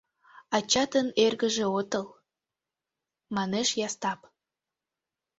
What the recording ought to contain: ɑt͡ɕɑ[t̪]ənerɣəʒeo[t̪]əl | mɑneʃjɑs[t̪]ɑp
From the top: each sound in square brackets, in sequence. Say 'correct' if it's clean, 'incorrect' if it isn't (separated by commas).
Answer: correct, correct, correct